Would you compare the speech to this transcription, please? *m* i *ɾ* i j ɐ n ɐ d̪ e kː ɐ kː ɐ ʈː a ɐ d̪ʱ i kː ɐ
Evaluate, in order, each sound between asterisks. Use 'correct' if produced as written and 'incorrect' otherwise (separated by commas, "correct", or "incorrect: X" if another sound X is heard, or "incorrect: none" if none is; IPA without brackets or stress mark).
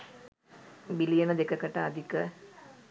incorrect: b, incorrect: l